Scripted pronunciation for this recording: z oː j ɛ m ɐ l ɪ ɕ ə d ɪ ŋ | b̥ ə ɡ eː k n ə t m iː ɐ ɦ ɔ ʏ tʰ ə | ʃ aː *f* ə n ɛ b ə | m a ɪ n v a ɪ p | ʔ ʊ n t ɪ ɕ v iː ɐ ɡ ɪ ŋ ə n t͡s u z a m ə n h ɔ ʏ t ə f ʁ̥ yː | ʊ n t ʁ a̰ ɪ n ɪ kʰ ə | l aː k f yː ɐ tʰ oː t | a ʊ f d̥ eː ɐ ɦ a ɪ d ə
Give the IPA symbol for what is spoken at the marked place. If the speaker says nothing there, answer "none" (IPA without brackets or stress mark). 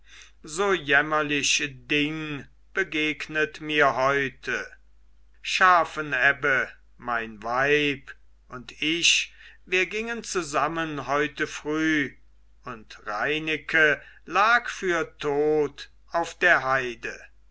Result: f